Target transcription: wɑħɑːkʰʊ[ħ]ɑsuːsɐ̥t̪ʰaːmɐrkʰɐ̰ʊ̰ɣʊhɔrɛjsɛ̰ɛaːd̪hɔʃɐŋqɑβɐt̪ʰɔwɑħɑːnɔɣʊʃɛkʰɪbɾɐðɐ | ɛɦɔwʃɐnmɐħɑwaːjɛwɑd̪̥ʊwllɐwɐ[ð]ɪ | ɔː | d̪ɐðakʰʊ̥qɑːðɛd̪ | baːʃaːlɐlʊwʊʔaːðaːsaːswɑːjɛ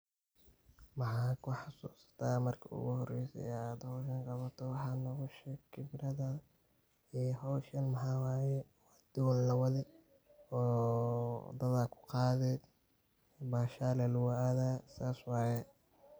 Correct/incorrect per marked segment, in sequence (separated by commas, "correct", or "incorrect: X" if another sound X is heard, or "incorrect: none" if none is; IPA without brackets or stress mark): correct, correct